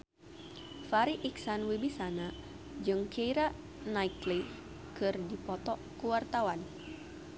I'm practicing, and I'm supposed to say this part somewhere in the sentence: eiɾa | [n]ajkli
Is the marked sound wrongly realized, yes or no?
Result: no